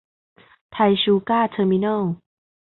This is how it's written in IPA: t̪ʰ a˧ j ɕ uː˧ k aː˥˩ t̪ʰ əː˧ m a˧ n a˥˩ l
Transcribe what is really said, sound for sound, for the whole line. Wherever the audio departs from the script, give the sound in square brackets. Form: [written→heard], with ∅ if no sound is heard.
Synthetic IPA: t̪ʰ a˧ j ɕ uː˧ k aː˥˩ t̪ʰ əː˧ m [a˧→i˧] n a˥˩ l